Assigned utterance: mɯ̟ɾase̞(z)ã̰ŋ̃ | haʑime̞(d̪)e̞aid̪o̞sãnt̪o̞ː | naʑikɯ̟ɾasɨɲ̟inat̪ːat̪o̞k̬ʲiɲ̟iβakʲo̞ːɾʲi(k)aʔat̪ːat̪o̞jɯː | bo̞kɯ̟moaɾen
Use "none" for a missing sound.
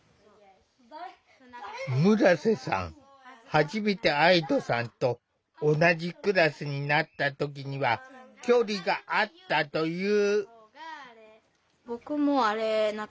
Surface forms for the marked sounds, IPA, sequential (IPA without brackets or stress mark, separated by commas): s, t̪, ɡ